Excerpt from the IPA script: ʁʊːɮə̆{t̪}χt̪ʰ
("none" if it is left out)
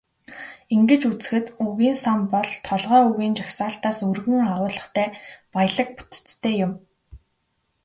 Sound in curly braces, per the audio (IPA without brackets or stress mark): none